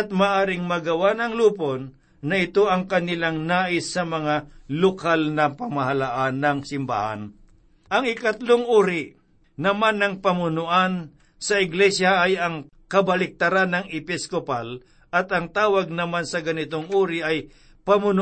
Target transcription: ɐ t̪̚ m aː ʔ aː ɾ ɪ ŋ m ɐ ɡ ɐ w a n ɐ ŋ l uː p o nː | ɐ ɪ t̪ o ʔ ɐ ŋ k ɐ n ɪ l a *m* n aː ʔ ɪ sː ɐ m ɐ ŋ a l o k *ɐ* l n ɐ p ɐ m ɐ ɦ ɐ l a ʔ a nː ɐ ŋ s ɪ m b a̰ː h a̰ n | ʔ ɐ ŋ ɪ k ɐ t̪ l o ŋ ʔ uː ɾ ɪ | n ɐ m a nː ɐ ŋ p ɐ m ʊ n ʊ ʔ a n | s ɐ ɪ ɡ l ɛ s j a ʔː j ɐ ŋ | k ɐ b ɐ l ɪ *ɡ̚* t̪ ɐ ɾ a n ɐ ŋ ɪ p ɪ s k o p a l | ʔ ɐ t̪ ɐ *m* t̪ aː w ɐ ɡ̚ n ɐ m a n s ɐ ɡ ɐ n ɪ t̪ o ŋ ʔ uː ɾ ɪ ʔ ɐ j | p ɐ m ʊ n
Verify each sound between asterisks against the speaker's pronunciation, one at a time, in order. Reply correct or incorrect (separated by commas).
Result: incorrect, incorrect, incorrect, incorrect